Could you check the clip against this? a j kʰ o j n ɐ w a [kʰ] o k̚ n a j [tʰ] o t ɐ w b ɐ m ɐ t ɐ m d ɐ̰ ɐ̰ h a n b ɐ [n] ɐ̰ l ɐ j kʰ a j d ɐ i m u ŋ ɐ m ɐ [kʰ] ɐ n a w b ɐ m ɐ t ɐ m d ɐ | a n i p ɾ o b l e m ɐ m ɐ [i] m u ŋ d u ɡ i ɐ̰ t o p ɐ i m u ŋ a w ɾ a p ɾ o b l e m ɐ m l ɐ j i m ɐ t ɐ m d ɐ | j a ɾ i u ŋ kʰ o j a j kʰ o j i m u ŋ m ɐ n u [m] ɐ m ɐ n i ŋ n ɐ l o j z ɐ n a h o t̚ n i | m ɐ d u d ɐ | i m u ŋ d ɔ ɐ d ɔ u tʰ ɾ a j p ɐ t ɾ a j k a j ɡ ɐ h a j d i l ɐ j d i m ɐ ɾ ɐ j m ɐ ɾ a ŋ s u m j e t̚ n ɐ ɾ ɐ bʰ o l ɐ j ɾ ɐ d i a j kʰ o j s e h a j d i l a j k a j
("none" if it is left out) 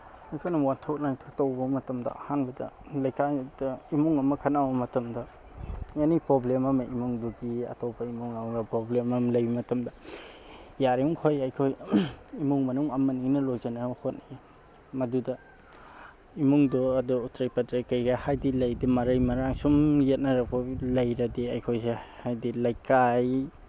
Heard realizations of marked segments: tʰ, tʰ, d, kʰ, i, ŋ

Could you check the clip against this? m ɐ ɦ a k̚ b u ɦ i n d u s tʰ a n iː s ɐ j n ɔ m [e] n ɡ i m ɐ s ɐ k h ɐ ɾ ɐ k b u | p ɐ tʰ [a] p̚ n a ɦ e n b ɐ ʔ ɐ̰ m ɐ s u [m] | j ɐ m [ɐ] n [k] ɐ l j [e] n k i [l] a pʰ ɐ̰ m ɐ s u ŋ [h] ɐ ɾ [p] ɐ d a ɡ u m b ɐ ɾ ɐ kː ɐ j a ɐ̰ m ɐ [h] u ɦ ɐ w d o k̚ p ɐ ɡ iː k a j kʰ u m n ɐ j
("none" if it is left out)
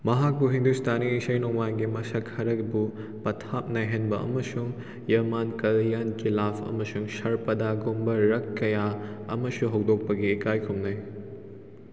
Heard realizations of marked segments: a, a, ŋ, a, k, a, l, s, p, s

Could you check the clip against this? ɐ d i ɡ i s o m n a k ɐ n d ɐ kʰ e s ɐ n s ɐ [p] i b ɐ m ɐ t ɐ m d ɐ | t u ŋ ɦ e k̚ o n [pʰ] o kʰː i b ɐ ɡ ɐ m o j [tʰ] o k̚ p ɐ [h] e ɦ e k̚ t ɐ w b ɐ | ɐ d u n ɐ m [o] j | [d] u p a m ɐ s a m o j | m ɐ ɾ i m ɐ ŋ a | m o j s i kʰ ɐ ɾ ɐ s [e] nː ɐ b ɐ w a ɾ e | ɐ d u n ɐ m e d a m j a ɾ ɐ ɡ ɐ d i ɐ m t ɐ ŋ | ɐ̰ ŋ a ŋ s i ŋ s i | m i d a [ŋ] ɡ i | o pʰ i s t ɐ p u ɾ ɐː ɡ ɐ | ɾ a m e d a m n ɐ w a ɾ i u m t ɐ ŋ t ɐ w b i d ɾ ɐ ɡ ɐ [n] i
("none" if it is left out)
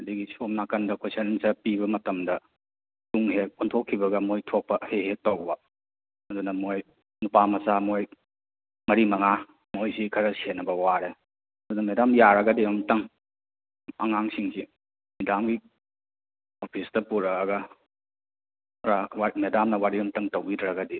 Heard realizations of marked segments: p, tʰ, tʰ, h, o, n, e, m, d

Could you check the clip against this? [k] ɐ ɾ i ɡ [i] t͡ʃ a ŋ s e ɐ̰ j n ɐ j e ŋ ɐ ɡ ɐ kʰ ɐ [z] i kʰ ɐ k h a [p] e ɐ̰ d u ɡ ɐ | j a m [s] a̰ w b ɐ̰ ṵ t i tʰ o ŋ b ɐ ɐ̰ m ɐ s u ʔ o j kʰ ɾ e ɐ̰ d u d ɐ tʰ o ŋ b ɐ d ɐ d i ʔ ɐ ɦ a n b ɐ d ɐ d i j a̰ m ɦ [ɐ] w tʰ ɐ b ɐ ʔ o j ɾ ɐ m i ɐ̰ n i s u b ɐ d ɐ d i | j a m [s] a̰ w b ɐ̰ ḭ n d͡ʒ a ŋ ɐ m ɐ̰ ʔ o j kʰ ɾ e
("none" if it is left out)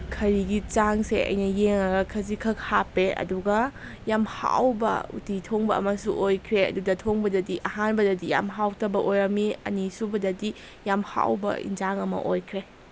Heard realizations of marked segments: kʰ, i, z, p, h, a, h

